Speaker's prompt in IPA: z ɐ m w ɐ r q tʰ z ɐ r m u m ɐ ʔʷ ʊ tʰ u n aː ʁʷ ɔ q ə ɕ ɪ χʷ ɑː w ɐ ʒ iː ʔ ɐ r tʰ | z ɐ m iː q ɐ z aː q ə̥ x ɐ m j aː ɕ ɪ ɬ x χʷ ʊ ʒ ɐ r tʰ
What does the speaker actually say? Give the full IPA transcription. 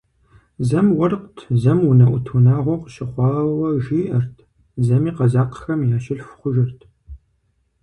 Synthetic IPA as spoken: z ɐ m w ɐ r q tʰ z ɐ m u n ɐ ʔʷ ʊ tʰ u n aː ʁʷ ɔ q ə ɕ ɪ χʷ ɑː w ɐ ʒ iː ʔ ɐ r tʰ | z ɐ m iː q ɐ z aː q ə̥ x ɐ m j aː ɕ ɪ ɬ f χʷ ʊ ʒ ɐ r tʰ